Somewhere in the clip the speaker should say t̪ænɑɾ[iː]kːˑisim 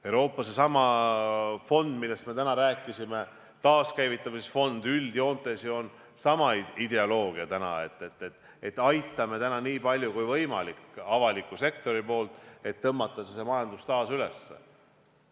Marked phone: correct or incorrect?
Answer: incorrect